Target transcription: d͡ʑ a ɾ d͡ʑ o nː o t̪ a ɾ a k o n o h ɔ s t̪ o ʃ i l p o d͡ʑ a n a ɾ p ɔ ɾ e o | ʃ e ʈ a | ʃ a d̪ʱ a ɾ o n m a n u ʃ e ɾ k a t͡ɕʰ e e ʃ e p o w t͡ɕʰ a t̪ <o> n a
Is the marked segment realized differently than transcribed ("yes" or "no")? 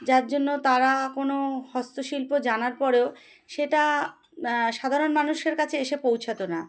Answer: no